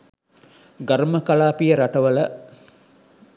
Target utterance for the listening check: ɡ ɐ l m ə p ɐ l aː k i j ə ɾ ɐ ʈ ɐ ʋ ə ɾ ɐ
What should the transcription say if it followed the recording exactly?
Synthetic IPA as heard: ɡ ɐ ɾ m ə k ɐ l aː p i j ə ɾ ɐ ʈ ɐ ʋ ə l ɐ